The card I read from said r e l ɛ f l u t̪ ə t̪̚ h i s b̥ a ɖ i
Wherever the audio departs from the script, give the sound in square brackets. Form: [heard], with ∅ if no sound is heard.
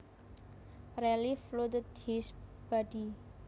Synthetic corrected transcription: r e l [i] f l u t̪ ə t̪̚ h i s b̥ a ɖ i